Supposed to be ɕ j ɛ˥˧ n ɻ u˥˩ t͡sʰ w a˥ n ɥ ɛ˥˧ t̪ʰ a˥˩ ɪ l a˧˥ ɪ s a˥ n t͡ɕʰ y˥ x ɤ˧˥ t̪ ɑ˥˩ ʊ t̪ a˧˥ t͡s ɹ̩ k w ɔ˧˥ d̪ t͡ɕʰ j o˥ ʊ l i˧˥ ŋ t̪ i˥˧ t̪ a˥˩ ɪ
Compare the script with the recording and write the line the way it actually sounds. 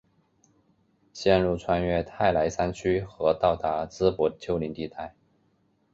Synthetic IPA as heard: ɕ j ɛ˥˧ n ɻ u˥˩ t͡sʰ w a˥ n ɥ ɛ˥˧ t̪ʰ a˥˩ ɪ l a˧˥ ɪ s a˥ n t͡ɕʰ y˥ x ɤ˧˥ t̪ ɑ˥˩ ʊ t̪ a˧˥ t͡s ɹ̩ p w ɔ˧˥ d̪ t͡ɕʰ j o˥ ʊ l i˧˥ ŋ t̪ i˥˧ t̪ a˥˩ ɪ